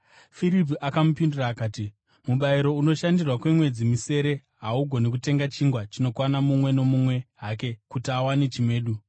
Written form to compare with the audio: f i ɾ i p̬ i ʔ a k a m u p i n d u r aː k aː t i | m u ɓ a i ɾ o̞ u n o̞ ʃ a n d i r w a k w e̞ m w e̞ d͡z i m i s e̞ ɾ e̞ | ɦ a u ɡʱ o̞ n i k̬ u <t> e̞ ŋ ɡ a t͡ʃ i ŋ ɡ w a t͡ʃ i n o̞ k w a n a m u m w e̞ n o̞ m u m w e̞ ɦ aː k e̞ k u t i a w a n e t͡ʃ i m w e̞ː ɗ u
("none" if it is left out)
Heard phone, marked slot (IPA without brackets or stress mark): t